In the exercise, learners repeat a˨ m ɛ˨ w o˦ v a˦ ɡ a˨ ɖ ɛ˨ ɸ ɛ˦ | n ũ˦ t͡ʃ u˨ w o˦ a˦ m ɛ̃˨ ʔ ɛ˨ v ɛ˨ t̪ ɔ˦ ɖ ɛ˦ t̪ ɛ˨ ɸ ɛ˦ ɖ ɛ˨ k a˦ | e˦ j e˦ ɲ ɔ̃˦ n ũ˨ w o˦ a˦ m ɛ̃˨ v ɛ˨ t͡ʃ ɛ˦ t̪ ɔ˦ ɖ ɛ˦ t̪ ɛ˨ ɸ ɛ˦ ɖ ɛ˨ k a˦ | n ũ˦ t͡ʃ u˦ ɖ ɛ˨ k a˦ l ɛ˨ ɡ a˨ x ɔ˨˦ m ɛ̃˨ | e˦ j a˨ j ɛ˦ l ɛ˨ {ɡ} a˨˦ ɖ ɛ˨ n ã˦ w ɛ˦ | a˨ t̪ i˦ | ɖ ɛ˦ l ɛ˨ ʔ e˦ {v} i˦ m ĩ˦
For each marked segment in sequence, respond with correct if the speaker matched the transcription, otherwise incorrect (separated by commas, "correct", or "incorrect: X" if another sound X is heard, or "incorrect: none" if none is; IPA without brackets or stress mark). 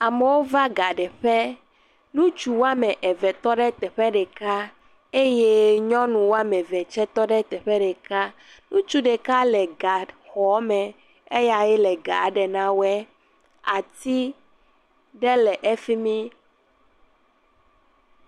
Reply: correct, incorrect: f